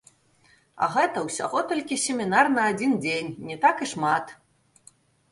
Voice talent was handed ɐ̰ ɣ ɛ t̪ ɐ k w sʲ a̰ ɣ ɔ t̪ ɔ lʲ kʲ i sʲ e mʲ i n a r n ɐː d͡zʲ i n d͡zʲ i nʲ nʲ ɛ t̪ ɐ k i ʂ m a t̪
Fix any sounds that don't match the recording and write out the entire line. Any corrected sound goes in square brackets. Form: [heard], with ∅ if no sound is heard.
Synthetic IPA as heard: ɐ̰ ɣ ɛ t̪ ɐ [∅] w sʲ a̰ ɣ ɔ t̪ ɔ lʲ kʲ i sʲ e mʲ i n a r n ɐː d͡zʲ i n d͡zʲ [e] nʲ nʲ ɛ t̪ [a] k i ʂ m a t̪